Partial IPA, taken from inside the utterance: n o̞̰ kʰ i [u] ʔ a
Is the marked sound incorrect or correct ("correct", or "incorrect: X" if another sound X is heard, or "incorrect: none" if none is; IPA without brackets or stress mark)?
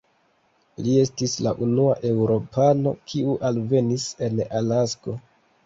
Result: correct